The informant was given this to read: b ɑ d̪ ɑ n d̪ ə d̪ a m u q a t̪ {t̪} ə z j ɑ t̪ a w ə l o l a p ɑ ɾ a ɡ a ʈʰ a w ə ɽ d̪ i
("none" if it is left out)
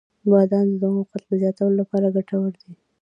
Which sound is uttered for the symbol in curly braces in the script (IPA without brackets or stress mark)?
d̪